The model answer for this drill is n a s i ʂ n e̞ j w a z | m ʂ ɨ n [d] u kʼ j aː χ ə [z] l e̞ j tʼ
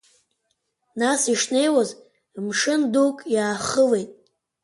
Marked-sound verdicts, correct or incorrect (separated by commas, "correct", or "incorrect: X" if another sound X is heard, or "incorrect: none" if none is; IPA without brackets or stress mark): correct, incorrect: none